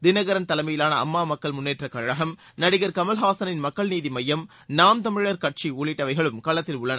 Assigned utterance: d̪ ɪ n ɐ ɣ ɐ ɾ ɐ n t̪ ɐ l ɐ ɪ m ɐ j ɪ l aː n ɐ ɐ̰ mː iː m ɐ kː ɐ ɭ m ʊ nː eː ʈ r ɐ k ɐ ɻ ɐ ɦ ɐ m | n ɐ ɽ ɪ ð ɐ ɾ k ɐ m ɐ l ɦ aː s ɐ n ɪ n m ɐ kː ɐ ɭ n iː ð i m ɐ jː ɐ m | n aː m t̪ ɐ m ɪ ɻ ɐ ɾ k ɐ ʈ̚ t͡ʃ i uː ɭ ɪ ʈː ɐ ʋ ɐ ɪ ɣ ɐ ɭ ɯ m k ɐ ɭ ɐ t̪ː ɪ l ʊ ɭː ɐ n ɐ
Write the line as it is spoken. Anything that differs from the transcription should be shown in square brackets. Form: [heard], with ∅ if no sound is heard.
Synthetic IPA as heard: d̪ ɪ n ɐ ɣ ɐ ɾ ɐ n t̪ ɐ l ɐ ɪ m ɐ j ɪ l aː n ɐ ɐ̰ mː [aː] m ɐ kː ɐ ɭ m ʊ nː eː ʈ r ɐ k ɐ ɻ ɐ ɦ ɐ m | n ɐ ɽ ɪ [ɣ] ɐ ɾ k ɐ m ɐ l ɦ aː s ɐ n ɪ n m ɐ kː ɐ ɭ n iː ð i m ɐ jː ɐ m | n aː m t̪ ɐ m ɪ ɻ ɐ ɾ k ɐ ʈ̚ t͡ʃ i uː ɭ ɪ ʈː ɐ ʋ ɐ ɪ ɣ ɐ ɭ ɯ m k ɐ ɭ ɐ t̪ː ɪ l ʊ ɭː ɐ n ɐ